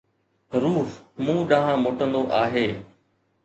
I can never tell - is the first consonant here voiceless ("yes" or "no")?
no